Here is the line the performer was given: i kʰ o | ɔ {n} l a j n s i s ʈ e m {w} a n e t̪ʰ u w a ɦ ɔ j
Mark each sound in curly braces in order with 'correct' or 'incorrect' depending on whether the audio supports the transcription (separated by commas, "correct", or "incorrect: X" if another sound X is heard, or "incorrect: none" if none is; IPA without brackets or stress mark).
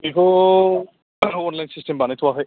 correct, incorrect: b